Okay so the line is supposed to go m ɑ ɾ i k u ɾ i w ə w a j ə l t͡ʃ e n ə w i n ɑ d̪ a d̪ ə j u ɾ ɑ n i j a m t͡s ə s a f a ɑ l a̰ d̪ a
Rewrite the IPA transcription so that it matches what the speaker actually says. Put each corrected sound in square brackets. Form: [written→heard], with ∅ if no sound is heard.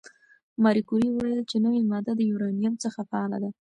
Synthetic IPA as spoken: m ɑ ɾ i k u ɾ i w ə w a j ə l t͡ʃ e n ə w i [n→m] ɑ d̪ a d̪ ə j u ɾ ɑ n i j a m t͡s ə [s→x] a f a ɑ l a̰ d̪ a